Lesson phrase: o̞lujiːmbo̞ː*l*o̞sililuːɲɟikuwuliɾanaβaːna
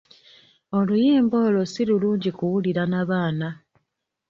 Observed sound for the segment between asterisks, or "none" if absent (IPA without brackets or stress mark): l